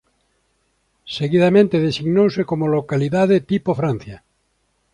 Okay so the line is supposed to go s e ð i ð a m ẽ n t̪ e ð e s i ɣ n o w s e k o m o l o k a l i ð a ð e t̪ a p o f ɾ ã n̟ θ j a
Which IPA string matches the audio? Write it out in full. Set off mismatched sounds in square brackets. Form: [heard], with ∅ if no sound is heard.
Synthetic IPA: s e [ɣ] i ð a m ẽ n t̪ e ð e s i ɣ n o w s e k o m o l o k a l i ð a ð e t̪ [i] p o f ɾ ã n̟ θ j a